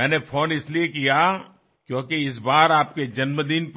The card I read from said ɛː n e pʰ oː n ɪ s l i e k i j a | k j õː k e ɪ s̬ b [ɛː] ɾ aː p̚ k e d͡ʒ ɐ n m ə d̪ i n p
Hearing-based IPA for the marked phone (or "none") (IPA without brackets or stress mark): aː